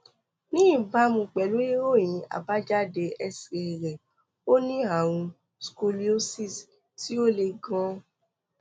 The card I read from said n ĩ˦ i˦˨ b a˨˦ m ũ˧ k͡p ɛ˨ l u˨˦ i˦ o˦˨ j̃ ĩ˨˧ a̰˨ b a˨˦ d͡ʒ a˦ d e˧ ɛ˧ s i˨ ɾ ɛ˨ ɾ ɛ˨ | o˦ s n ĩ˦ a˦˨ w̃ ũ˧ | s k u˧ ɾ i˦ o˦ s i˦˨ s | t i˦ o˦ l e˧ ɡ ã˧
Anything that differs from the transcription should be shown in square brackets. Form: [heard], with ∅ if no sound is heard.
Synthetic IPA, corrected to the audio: n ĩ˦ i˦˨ b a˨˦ m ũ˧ k͡p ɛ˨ l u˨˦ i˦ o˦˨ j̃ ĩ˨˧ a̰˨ b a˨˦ d͡ʒ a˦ d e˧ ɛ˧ s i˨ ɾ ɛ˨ ɾ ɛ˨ | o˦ [∅] n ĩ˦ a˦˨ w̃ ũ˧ | s k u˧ [l] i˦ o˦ s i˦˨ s | t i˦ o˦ l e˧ ɡ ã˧

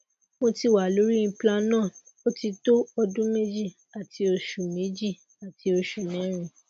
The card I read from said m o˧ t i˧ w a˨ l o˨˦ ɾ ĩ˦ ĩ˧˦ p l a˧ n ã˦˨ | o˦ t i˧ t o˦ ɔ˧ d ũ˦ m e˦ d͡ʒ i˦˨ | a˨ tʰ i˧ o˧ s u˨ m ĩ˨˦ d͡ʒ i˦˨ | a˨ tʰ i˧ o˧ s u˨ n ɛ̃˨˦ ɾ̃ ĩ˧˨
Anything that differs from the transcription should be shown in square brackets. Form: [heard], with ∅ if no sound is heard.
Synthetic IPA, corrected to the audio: m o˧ t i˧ w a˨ l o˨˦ ɾ [i˦] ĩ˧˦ p l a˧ n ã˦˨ | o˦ t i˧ t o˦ ɔ˧ d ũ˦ m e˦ d͡ʒ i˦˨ | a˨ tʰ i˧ o˧ [ʃ] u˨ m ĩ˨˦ d͡ʒ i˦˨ | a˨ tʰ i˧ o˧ [ʃ] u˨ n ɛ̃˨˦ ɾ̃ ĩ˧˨

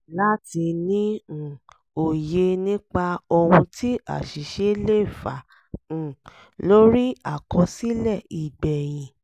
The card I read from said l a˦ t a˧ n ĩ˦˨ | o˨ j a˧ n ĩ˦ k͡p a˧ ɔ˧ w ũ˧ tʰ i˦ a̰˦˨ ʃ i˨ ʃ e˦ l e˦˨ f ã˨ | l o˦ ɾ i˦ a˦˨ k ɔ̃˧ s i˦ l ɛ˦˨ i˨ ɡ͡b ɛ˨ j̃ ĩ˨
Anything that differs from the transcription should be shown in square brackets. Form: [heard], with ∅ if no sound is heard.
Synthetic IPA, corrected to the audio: l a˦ t [i˧] n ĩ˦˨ | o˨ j [e˧] n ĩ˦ k͡p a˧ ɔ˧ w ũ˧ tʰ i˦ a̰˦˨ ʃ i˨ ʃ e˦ l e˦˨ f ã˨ | l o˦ ɾ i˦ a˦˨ k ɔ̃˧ s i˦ l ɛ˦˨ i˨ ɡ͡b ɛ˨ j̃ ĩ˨

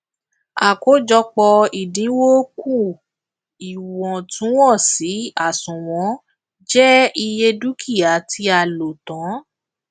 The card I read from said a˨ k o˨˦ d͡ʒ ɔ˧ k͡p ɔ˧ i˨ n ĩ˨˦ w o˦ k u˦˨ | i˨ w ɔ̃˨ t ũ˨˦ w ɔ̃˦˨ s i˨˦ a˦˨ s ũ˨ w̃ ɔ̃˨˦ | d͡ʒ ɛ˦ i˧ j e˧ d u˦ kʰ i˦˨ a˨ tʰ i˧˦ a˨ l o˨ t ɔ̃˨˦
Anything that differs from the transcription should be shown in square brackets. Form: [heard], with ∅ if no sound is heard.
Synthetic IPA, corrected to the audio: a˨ k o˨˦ d͡ʒ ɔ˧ k͡p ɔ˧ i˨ [d] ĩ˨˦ w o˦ k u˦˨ | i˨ w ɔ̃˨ t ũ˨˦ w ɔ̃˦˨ s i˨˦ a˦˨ s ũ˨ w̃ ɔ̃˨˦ | d͡ʒ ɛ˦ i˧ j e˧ d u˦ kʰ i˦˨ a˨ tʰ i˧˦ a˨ l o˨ t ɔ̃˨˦

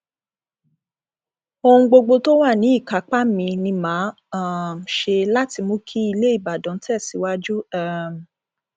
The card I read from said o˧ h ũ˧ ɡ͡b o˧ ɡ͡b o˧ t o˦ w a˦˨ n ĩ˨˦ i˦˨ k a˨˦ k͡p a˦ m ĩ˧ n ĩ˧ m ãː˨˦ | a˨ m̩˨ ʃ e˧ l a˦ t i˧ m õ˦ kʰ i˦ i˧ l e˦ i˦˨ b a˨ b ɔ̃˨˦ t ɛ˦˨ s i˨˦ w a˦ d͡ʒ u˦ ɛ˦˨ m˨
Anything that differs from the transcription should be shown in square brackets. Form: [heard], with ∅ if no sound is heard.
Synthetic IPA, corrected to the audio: o˧ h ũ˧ ɡ͡b o˧ ɡ͡b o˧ t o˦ w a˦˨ n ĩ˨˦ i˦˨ k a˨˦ k͡p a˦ m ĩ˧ n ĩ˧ m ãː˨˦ | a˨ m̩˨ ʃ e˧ l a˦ t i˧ m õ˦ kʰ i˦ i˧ l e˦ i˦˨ b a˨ [d] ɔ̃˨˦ t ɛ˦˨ s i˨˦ w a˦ d͡ʒ u˦ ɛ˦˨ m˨

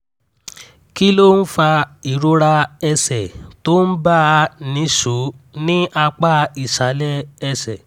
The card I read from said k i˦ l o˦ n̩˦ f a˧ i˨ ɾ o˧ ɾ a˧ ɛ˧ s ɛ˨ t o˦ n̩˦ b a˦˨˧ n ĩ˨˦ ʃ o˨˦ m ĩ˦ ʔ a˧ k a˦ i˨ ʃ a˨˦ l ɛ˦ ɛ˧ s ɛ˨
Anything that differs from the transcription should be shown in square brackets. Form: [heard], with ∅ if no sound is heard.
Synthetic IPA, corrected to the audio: k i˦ l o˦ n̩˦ f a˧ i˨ ɾ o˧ ɾ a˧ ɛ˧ s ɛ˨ t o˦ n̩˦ b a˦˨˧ n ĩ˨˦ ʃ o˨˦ [n] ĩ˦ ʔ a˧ [k͡p] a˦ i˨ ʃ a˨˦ l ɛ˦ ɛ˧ s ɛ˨

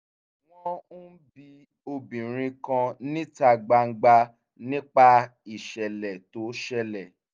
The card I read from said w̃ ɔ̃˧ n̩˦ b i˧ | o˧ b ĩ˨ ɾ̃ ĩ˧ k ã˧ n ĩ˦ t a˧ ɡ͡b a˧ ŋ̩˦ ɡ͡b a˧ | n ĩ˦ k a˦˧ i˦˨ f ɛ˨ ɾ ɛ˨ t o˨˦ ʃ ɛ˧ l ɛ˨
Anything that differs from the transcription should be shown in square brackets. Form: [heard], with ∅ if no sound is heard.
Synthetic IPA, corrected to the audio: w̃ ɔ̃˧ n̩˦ b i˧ | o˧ b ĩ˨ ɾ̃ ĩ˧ k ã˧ n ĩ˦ t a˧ ɡ͡b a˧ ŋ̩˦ ɡ͡b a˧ | n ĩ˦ [k͡p] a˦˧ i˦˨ [ʃ] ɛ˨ [l] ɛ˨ t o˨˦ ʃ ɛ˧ l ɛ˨

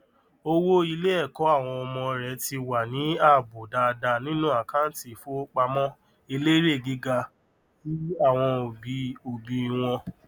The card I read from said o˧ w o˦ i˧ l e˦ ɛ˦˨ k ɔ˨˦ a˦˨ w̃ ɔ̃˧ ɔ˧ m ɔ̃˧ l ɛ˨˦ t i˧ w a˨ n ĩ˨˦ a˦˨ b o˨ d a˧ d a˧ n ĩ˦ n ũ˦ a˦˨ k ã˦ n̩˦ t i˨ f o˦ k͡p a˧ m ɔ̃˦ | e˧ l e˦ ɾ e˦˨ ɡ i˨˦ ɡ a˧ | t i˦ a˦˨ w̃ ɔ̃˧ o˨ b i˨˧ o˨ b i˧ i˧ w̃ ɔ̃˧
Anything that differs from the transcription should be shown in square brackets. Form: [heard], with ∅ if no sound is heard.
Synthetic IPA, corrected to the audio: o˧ w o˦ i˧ l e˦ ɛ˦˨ k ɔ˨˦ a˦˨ w̃ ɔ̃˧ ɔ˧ m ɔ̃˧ [ɾ] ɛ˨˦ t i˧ w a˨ n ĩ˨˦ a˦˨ b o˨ d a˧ d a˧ n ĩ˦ n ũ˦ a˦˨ k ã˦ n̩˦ t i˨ f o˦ k͡p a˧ m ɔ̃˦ | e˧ l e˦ ɾ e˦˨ ɡ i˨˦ ɡ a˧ | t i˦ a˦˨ w̃ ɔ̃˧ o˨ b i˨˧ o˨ b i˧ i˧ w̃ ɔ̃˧

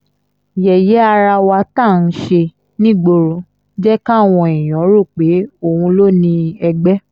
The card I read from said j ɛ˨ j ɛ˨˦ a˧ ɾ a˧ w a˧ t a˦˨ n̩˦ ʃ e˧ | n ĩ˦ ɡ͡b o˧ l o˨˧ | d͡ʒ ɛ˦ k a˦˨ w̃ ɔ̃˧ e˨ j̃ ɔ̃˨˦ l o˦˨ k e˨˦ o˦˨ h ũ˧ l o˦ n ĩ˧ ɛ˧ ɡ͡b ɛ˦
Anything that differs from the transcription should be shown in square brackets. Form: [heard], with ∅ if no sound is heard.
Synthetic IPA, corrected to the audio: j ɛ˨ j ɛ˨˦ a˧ ɾ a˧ w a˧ t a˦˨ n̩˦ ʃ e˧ | n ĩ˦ ɡ͡b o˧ [ɾ] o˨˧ | d͡ʒ ɛ˦ k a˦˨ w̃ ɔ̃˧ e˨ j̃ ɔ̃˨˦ [ɾ] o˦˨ [k͡p] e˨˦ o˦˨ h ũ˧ l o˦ n ĩ˧ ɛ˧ ɡ͡b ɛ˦

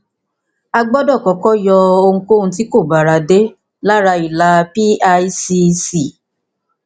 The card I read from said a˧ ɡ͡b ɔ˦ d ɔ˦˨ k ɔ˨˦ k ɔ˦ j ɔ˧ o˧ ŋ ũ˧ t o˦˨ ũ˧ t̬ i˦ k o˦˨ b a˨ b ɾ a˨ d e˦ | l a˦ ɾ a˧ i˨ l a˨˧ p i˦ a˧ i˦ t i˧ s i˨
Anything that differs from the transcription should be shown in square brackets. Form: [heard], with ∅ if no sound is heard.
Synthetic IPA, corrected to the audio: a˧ ɡ͡b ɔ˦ d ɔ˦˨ k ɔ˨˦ k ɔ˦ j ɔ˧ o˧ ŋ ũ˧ [k] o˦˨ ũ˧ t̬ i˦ k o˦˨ b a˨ [∅] ɾ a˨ d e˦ | l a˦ ɾ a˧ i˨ l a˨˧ p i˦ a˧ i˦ [s] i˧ s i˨

